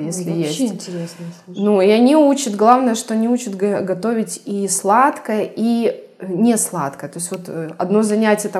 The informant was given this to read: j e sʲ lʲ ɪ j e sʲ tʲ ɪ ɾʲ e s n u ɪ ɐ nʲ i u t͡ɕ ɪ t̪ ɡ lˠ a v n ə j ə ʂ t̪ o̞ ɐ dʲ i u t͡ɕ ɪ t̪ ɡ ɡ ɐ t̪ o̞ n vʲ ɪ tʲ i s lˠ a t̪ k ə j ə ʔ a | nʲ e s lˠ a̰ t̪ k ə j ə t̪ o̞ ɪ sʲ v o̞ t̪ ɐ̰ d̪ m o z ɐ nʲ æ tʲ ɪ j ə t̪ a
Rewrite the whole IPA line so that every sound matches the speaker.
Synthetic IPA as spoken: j e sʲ lʲ ɪ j e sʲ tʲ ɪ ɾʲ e s n u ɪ ɐ nʲ i u t͡ɕ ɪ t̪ ɡ lˠ a v n ə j ə ʂ t̪ o̞ ɐ nʲ i u t͡ɕ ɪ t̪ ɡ ɡ ɐ t̪ o̞ vʲ ɪ tʲ i s lˠ a t̪ k ə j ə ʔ i | nʲ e s lˠ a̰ t̪ k ə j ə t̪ o̞ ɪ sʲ v o̞ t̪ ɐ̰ d̪ n o z ɐ nʲ æ tʲ ɪ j ə t̪ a